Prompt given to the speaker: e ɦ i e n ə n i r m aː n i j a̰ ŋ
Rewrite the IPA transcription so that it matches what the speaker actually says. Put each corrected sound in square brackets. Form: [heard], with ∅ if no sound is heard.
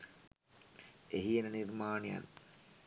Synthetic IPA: e ɦ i e n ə n i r m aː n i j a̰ [n]